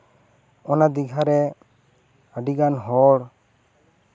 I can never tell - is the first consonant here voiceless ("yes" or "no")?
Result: no